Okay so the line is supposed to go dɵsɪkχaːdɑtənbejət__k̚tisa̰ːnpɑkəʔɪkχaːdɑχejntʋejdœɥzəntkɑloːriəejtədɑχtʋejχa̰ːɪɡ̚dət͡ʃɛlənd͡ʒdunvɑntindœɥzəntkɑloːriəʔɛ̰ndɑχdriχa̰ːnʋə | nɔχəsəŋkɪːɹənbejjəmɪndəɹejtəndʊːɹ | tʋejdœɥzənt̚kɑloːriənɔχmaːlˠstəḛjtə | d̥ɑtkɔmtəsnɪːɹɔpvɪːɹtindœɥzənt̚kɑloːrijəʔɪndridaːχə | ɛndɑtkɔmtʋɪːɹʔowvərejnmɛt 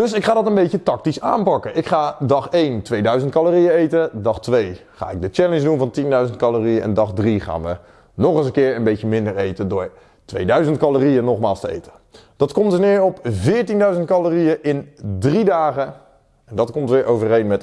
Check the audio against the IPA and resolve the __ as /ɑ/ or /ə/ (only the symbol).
ɑ